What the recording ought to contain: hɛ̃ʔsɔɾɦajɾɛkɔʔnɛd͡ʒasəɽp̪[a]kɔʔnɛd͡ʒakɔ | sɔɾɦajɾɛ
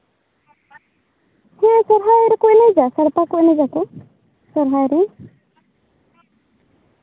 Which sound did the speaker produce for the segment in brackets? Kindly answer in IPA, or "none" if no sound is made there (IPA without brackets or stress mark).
a